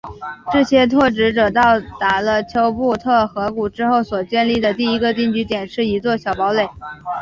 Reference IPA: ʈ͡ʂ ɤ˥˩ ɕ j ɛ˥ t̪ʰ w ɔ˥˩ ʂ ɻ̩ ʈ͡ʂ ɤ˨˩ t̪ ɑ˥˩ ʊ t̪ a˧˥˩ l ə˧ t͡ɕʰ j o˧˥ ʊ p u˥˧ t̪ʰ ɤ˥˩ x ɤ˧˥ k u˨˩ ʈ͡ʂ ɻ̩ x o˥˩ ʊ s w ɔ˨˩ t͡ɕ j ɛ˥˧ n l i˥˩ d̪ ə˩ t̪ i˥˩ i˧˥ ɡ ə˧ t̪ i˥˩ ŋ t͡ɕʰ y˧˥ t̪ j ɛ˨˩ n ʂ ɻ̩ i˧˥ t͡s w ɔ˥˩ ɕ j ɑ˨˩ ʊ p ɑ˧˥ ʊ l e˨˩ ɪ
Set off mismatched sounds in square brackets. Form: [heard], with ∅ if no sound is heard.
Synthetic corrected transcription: ʈ͡ʂ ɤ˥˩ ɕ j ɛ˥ t̪ʰ w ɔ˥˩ [ʈ͡ʂ] ɻ̩ ʈ͡ʂ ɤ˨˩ t̪ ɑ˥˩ ʊ t̪ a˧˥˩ l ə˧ t͡ɕʰ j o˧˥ ʊ p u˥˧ t̪ʰ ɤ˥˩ x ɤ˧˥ k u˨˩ ʈ͡ʂ ɻ̩ x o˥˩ ʊ s w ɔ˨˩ t͡ɕ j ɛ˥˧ n l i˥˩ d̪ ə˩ t̪ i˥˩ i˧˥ ɡ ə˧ t̪ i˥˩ ŋ [t͡ɕ] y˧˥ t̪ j ɛ˨˩ n ʂ ɻ̩ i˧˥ t͡s w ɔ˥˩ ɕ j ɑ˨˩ ʊ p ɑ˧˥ ʊ l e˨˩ ɪ